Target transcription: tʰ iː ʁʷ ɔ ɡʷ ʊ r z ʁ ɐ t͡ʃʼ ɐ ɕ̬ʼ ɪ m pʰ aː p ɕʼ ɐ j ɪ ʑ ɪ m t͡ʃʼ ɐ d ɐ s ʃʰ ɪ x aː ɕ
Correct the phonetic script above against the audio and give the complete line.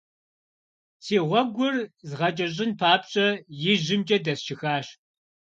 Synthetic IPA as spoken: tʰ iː ʁʷ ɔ ɡʷ ʊ r z ʁ ɐ t͡ʃʼ ɐ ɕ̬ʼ ɪ n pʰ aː p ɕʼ ɐ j ɪ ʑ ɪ m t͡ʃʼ ɐ d ɐ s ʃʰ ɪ x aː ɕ